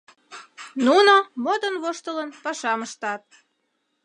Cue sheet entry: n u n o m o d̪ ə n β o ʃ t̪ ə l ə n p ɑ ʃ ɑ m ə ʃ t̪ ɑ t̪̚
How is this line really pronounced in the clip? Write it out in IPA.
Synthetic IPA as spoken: n u n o m o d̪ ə n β o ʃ t̪ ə l ə n p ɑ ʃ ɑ m ə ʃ t̪ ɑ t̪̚